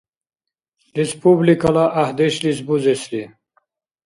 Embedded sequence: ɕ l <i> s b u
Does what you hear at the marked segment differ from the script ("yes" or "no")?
no